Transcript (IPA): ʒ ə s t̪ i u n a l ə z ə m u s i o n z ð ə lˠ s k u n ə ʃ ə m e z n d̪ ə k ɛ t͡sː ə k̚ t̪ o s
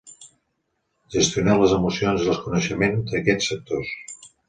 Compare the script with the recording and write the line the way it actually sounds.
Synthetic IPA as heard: ʒ ə s t̪ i u n a l ə z ə m u s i o n z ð ə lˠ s k u n ə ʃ ə m e n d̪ ə k ɛ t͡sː ə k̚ t̪ o s